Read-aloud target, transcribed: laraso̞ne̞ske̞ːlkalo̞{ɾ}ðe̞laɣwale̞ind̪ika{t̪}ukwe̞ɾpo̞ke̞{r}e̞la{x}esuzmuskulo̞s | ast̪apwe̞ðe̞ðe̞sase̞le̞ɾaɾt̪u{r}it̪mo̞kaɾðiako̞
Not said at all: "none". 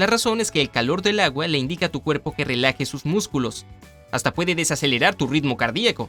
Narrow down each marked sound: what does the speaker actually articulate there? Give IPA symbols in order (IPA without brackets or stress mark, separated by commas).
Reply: ɾ, t̪, r, x, r